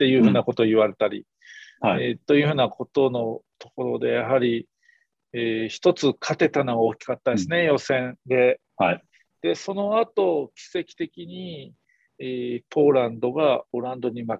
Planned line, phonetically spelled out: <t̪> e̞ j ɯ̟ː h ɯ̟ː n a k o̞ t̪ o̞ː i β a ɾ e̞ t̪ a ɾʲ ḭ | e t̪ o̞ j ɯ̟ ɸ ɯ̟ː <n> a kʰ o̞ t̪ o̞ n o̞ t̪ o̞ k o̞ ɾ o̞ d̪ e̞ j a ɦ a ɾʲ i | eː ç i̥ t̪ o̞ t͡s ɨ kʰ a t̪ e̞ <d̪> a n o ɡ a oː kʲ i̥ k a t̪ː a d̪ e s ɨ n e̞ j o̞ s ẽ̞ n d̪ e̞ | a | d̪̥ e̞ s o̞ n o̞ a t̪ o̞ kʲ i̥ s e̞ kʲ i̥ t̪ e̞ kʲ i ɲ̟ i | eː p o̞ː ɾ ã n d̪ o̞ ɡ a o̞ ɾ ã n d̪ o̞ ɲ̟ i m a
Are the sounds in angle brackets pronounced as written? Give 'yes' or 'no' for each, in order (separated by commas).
yes, yes, no